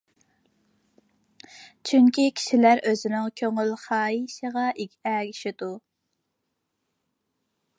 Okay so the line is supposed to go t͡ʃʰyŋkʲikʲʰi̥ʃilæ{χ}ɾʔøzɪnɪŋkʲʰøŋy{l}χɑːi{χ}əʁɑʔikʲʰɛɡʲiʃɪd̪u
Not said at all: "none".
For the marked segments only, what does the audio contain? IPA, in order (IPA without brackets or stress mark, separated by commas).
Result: none, l, ʃ